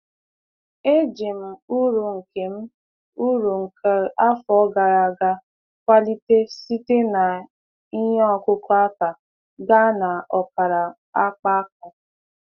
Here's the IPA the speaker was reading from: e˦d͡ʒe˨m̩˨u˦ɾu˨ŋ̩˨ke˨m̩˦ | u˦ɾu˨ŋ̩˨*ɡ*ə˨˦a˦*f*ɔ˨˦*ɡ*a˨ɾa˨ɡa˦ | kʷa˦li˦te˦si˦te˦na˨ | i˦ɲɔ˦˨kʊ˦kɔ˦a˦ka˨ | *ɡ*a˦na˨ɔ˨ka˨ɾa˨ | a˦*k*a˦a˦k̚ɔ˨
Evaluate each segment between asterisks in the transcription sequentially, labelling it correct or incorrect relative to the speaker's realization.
incorrect: k, correct, correct, correct, incorrect: k͡p

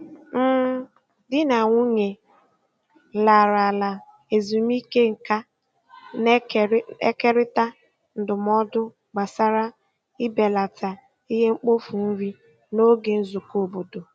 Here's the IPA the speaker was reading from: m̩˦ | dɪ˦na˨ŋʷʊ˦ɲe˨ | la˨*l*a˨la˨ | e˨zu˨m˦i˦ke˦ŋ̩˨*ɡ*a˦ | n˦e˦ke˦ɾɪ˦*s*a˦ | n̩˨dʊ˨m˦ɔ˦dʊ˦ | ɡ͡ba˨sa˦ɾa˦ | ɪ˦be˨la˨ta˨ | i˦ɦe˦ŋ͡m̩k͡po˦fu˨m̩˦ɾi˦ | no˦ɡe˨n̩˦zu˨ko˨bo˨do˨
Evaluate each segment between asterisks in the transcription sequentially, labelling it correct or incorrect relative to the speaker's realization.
incorrect: ɾ, incorrect: k, incorrect: t

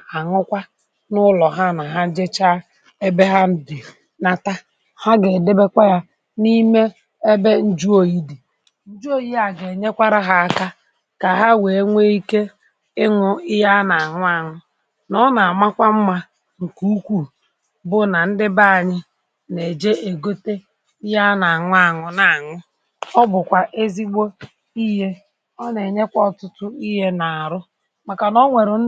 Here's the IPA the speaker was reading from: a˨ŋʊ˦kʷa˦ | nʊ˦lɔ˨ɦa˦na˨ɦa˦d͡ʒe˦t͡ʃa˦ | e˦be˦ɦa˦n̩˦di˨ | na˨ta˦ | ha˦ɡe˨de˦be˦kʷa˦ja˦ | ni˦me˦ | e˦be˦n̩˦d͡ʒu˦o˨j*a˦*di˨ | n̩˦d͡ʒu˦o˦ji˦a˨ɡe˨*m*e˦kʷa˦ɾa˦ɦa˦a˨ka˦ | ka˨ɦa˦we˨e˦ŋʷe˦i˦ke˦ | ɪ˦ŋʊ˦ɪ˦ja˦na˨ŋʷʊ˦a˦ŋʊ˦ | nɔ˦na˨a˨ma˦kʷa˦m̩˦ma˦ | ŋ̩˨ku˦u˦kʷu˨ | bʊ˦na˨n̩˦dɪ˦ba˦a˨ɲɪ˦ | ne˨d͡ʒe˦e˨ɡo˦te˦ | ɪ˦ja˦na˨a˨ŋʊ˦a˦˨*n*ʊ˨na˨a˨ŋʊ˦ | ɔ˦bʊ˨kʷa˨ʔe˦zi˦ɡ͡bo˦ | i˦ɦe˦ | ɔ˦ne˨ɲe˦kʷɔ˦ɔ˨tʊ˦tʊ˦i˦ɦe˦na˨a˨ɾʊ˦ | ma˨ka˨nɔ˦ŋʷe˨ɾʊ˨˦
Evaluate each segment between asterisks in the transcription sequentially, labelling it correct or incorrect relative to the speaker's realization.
incorrect: i˦, incorrect: ɲ, incorrect: ŋ

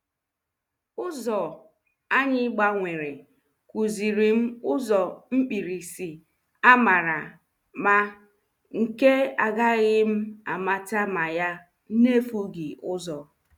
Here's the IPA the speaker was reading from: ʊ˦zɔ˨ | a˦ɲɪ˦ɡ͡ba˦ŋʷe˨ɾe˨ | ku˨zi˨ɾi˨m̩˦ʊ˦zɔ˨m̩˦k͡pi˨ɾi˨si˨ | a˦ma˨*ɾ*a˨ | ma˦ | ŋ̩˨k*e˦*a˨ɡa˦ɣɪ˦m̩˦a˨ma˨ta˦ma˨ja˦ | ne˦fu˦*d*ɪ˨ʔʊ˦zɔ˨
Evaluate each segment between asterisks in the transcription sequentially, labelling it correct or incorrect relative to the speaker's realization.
correct, correct, incorrect: ɡ

